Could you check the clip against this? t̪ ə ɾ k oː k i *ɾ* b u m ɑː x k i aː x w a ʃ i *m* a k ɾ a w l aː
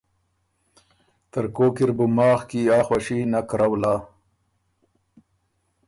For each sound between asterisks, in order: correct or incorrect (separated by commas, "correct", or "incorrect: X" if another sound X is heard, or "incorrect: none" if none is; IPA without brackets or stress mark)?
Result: correct, incorrect: n